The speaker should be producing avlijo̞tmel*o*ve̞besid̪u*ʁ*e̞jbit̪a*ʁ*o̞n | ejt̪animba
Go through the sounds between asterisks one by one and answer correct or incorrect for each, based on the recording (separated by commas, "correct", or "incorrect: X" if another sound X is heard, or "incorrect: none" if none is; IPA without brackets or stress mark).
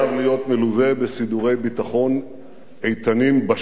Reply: incorrect: u, correct, incorrect: χ